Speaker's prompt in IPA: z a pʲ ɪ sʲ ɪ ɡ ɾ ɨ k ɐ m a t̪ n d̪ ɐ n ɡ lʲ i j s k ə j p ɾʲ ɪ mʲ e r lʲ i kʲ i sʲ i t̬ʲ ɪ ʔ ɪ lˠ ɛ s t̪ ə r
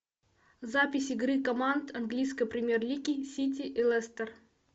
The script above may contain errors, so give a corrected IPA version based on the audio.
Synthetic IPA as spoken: z a pʲ ɪ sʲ ɪ ɡ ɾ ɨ k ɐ m a n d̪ ɐ n ɡ lʲ i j s k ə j p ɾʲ ɪ mʲ e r lʲ i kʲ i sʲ i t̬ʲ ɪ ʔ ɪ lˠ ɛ s t̪ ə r